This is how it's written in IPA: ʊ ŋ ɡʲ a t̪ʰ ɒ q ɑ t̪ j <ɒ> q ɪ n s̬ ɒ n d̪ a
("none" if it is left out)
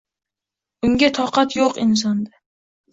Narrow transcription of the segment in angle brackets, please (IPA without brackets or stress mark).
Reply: o